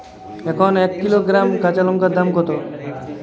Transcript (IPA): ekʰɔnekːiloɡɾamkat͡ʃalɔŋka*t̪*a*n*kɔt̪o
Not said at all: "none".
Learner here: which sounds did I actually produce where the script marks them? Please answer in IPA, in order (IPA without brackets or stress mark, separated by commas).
d̪, m